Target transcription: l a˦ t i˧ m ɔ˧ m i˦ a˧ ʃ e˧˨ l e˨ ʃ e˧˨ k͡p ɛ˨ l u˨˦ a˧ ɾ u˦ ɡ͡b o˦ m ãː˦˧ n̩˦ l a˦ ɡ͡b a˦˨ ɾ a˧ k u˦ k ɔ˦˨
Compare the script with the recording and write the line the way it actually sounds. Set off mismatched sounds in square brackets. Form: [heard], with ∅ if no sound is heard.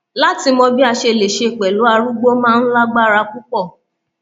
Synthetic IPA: l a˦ t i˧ m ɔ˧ [b] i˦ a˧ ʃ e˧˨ l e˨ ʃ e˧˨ k͡p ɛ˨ l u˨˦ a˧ ɾ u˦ ɡ͡b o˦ m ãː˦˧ n̩˦ l a˦ ɡ͡b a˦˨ ɾ a˧ k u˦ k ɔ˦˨